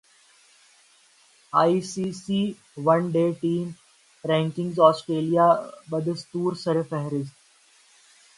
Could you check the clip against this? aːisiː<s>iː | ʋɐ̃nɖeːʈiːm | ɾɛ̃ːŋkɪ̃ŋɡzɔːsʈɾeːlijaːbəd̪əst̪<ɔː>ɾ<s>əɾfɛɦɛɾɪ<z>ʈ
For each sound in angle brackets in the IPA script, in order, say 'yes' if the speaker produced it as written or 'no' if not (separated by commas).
yes, no, yes, no